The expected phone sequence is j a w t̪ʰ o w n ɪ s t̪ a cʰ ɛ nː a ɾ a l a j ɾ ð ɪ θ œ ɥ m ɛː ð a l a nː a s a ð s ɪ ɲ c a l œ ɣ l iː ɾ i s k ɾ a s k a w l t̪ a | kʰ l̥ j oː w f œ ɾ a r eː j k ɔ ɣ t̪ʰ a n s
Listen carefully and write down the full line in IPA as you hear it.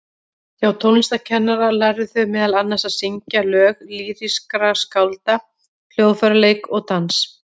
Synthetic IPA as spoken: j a w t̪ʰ o w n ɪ s t̪ a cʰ ɛ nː a ɾ a l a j ɾ ð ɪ θ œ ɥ m ɛː ð a l a nː a s a ð s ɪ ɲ c a l œː ɣ l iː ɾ i s k ɾ a s k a w l t̪ a | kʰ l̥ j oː w f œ ɾ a l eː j k ɔ ɣ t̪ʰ a n s

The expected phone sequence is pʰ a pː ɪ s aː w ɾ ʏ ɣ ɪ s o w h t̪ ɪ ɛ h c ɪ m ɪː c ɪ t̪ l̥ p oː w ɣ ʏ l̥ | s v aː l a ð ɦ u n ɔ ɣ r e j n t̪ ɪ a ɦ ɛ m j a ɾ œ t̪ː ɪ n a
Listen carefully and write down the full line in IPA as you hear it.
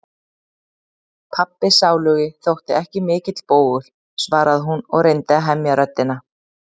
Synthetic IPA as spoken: pʰ a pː ɪ s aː w l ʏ ɣ ɪ θ o w h t̪ ɪ ɛ h c ɪ m ɪː c ɪ t̪ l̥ p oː w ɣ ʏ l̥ | s v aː ɾ a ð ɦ u n ɔ ɣ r e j n t̪ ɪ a ɦ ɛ m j a ɾ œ t̪ː ɪ n a

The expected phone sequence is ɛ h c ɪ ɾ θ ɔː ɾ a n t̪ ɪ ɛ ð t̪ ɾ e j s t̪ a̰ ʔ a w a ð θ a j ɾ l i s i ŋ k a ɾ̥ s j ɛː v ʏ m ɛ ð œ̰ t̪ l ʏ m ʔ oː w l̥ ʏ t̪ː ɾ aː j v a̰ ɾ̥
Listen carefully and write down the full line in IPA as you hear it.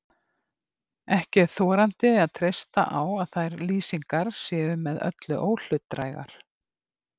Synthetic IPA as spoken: ɛ h c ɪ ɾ θ ɔː ɾ a n t̪ ɪ a ð t̪ʰ ɾ e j s t̪ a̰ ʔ a w a ð θ a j ɾ l iː s i ŋ k a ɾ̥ s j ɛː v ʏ m ɛ ð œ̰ t̪ l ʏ ʔ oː w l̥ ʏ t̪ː ɾ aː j ɣ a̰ ɾ̥

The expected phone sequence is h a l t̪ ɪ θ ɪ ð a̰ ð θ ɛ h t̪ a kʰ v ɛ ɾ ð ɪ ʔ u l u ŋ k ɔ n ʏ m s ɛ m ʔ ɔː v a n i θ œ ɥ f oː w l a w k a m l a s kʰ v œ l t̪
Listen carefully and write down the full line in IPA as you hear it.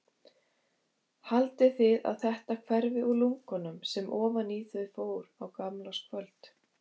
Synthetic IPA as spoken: h a l t̪ ɪ θ ɪ ð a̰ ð θ ɛ h t̪ a kʰ v ɛ ɾ v ɪ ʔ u l u ŋ k ɔ n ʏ m s ɛ m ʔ ɔː v a n i θ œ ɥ f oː w ɾ a w k a m l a s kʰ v œ l t̪

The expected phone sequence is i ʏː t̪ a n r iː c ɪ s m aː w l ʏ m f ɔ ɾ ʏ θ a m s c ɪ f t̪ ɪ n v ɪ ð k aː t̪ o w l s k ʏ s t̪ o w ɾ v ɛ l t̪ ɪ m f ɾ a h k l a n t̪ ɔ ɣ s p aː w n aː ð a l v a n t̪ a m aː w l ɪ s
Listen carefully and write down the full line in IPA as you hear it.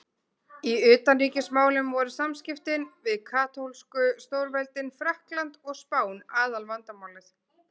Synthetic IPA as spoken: i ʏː t̪ a n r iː c ɪ s m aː w l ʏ m v ɔ ɾ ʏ s a m s c ɪ f t̪ ɪ n v ɪ ð kʰ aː t̪ o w l s k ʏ s t̪ o w ɾ v ɛ l t̪ ɪ n f ɾ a h k l a n t̪ ɔ ɣ s p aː w n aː ð a l v a n t̪ a m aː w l ɪ θ

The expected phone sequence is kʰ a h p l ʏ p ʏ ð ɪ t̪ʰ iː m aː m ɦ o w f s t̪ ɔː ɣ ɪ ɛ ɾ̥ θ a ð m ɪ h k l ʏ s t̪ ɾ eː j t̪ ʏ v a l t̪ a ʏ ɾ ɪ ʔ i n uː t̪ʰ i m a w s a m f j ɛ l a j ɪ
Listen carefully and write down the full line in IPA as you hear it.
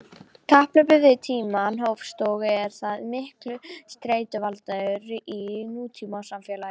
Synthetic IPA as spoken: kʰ a h p l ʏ p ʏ ð ɪ t̪ʰ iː m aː n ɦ o w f s t̪ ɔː ɣ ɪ ɛ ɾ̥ θ a ð m ɪ h k l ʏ s t̪ ɾ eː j t̪ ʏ v a l t̪ a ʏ ɾ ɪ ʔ i n uː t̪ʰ i m a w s a m f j ɛ l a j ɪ

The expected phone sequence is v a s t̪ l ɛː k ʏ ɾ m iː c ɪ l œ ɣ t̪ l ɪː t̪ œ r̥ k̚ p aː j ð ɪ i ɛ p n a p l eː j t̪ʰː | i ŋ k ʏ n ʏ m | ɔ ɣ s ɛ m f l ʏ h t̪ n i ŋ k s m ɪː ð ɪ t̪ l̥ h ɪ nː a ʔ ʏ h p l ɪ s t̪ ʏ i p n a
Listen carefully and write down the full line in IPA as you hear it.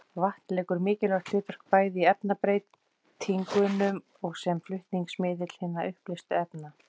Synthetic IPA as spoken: v a h t̪ l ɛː k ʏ ɾ m ɪː c ɪ l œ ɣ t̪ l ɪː t̪ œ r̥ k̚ p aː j ð ɪ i ɛ p n a p ɾ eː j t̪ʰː | i ŋ k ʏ n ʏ m | ɔ ɣ s ɛ m f l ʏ h t̪ n i ŋ k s m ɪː ð ɪ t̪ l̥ h ɪ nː a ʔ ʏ h p l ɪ s t̪ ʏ ɛ p n a

